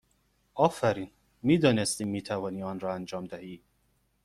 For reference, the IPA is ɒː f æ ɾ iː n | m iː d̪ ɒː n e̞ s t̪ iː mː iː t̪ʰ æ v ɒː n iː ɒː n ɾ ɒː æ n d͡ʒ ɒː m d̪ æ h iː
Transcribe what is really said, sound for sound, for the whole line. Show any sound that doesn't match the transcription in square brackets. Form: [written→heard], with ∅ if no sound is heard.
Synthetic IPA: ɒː f æ ɾ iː n | m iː d̪ ɒː n e̞ s t̪ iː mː iː t̪ʰ æ v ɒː n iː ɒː n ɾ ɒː æ n d͡ʒ ɒː m d̪ æ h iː